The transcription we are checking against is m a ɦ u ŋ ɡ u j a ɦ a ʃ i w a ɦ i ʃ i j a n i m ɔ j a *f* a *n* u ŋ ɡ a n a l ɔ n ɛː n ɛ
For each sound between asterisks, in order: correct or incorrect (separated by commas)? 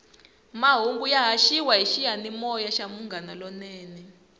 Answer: incorrect, incorrect